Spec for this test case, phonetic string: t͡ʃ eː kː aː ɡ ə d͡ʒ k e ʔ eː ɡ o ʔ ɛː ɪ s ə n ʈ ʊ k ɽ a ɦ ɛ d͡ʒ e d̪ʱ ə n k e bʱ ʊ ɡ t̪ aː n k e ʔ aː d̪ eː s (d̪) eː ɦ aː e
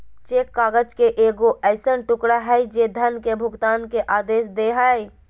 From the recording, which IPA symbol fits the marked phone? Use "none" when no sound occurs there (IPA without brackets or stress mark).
d̪